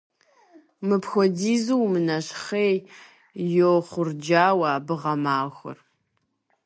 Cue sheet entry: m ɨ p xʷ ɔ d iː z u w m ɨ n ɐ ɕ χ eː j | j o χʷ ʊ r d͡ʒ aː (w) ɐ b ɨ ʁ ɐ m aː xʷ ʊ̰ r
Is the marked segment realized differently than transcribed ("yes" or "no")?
no